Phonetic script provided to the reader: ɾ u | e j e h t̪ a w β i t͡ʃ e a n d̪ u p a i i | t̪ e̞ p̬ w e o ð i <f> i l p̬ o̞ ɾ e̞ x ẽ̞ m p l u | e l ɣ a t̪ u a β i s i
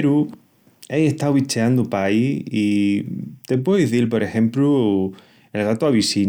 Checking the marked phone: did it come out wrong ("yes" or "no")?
yes